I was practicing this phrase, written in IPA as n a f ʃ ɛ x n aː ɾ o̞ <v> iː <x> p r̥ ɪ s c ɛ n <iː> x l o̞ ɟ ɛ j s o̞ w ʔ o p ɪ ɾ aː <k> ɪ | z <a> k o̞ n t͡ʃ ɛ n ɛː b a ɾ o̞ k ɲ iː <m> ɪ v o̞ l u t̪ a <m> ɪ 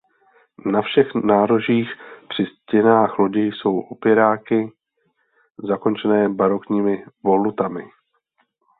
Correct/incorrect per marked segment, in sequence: incorrect: ʒ, correct, incorrect: aː, correct, correct, correct, correct

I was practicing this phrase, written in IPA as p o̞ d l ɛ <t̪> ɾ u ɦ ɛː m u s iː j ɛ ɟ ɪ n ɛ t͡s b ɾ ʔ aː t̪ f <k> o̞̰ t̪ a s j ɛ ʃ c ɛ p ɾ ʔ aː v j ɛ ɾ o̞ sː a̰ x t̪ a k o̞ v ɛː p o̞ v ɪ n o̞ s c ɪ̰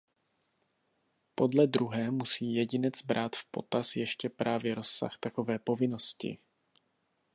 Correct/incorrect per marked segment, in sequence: incorrect: d̪, incorrect: p

